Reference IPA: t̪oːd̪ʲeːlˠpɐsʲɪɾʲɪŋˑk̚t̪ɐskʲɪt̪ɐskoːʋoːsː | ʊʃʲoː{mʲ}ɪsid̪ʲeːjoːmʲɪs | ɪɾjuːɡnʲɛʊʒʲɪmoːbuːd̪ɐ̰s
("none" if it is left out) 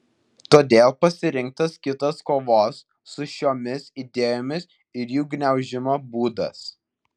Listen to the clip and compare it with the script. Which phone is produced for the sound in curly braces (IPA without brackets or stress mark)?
mʲ